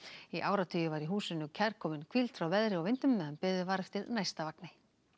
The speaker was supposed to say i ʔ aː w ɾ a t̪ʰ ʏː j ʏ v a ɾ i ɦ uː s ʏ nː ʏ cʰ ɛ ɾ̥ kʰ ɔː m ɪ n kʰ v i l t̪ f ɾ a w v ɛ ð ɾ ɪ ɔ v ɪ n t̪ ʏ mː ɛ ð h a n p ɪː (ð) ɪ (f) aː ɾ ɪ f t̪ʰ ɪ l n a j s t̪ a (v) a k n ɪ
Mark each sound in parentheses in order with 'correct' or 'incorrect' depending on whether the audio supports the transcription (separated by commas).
correct, incorrect, correct